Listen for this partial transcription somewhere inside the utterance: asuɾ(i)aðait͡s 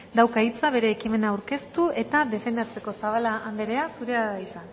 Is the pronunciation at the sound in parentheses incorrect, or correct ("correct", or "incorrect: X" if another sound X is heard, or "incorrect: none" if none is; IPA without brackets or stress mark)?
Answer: incorrect: e